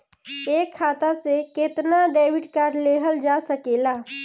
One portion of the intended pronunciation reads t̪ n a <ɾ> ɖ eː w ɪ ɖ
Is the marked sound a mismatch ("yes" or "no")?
yes